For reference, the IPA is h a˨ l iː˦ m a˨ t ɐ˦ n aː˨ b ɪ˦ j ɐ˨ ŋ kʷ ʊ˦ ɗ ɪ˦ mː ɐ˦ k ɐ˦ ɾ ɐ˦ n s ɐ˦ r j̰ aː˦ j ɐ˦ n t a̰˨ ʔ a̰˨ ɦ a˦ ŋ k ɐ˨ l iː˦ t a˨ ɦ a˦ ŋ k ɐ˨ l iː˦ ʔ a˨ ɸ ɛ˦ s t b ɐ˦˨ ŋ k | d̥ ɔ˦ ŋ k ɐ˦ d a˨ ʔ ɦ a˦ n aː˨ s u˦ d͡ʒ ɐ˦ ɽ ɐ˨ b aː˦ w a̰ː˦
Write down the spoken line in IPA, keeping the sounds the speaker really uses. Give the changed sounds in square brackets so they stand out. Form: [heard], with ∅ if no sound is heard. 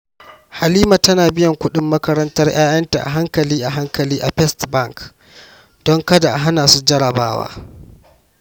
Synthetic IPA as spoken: h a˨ l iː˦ m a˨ t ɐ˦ n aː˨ b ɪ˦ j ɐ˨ ŋ kʷ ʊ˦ ɗ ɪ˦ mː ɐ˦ k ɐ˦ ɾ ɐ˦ n [t] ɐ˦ r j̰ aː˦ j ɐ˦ n t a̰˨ ʔ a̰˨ ɦ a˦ ŋ k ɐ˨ l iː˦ [ʔ] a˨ ɦ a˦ ŋ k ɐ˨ l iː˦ ʔ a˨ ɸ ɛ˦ s t b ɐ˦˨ ŋ k | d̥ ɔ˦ ŋ k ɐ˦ d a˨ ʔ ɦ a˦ n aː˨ s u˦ d͡ʒ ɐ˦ ɽ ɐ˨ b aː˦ w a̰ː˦

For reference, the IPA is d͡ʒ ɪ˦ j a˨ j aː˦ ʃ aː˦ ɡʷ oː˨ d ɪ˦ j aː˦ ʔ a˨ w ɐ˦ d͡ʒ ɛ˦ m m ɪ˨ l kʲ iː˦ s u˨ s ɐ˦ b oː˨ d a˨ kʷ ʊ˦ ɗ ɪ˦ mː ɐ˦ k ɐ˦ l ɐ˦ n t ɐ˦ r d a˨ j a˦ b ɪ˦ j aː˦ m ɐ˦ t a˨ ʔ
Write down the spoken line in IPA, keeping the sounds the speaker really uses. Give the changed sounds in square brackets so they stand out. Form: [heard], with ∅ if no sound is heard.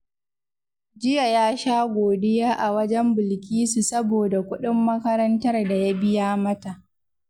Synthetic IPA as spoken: d͡ʒ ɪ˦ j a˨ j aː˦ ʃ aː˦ ɡʷ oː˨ d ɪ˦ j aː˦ ʔ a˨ w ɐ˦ d͡ʒ ɛ˦ m [b] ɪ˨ l kʲ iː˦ s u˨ s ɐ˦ b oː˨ d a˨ kʷ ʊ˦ ɗ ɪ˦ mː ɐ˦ k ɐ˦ [ɾ] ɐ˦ n t ɐ˦ r d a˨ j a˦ b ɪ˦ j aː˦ m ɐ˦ t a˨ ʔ

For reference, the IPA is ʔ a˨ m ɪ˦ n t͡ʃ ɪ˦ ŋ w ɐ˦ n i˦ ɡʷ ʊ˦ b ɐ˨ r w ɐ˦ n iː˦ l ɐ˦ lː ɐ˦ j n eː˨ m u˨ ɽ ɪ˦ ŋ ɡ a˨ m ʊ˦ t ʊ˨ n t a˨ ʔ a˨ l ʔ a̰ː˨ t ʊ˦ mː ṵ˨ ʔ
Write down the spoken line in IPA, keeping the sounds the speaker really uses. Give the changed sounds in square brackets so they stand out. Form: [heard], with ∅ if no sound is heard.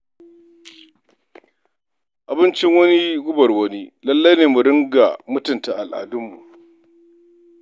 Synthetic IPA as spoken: ʔ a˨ [b] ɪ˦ n t͡ʃ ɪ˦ ŋ w ɐ˦ n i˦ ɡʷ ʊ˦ b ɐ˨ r w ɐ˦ n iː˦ l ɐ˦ lː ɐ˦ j n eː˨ m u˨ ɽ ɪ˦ ŋ ɡ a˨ m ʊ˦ t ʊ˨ n t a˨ ʔ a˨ l ʔ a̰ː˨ [d] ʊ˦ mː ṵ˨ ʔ

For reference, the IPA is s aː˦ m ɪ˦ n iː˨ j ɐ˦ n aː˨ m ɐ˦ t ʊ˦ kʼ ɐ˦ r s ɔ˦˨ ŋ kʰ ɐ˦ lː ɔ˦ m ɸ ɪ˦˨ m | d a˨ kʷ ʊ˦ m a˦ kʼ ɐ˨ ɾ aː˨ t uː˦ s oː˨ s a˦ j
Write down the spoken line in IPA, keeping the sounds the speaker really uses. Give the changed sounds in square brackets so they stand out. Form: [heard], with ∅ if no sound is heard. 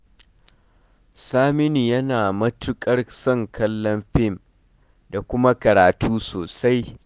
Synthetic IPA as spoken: s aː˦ m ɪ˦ n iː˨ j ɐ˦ n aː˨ m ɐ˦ t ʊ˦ kʼ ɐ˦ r s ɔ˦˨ ŋ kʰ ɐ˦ lː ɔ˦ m ɸ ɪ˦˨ m | d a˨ kʷ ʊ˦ m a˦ [k] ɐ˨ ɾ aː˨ t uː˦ s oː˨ s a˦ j

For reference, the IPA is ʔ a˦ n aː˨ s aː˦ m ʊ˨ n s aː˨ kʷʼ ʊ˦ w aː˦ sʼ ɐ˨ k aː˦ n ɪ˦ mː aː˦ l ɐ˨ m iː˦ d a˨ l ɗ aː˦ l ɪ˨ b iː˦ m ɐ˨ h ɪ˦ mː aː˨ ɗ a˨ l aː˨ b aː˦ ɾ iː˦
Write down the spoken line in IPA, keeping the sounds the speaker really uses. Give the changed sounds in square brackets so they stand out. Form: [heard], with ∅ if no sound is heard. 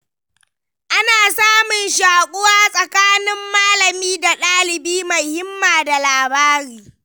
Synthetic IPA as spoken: ʔ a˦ n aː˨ s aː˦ m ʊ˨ n [ʃ] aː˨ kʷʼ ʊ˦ w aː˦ sʼ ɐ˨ k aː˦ n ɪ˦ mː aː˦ l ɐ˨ m iː˦ d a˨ [∅] ɗ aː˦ l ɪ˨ b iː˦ m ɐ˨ h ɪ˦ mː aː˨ [d] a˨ l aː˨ b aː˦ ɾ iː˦

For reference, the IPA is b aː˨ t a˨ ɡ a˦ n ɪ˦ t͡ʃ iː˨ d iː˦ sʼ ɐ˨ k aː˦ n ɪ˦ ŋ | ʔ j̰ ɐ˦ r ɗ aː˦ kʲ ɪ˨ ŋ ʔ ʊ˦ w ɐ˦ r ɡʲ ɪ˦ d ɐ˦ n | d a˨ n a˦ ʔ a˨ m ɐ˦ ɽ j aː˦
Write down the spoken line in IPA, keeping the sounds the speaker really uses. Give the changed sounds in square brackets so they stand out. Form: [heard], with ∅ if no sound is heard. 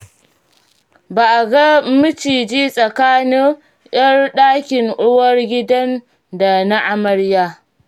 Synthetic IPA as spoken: b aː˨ [ʔ] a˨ ɡ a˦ [m] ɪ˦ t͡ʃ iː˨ [d͡ʒ] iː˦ sʼ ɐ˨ k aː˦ n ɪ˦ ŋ | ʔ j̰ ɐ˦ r ɗ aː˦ kʲ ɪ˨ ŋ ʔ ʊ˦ w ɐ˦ r ɡʲ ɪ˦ d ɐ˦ n | d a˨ n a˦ ʔ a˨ m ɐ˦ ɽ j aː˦

